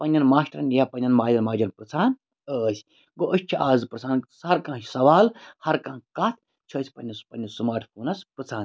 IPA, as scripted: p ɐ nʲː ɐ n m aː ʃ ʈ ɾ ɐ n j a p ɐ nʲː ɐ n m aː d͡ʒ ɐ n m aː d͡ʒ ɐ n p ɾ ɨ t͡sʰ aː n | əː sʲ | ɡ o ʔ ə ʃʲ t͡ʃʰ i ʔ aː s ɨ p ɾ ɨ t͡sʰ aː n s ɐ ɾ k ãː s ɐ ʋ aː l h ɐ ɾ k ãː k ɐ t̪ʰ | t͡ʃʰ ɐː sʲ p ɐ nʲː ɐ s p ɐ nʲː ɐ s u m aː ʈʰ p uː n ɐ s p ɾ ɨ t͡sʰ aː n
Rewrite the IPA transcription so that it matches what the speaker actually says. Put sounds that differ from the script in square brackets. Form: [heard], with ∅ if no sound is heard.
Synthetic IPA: p ɐ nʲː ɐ n m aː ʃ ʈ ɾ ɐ n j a p ɐ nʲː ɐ n m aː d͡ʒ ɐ n m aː d͡ʒ ɐ n p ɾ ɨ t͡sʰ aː n | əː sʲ | ɡ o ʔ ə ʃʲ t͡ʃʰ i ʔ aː [z] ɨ p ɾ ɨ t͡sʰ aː n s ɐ ɾ k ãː s ɐ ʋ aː l h ɐ ɾ k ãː k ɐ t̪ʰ | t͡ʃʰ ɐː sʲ p ɐ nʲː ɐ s p ɐ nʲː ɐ s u m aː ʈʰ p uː n ɐ s p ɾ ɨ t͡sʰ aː n